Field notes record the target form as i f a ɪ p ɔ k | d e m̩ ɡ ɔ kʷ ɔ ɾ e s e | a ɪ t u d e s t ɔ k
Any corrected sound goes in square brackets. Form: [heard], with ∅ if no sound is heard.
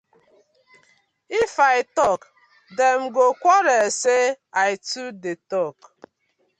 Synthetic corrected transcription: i f a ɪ [t] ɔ k | d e m̩ ɡ [o] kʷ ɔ ɾ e s e | a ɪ t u d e [∅] t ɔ k